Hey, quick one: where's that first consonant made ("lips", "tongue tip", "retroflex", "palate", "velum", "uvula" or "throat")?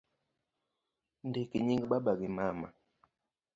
tongue tip